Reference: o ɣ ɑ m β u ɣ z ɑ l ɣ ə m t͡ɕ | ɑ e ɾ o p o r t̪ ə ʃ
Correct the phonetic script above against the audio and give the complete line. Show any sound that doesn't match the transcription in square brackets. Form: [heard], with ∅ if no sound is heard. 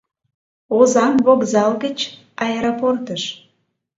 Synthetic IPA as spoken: o [z] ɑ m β [o] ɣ z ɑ l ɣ ə [∅] t͡ɕ | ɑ e ɾ o p o r t̪ ə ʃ